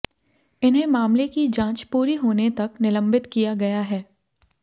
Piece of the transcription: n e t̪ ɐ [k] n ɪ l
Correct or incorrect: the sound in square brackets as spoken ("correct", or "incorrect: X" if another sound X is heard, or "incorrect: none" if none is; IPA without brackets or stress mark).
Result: correct